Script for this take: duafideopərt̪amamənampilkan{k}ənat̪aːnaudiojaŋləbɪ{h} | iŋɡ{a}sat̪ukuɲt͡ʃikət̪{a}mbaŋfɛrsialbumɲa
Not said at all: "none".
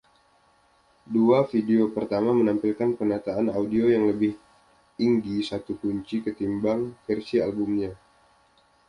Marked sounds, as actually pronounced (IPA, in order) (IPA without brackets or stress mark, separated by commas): p, h, i, i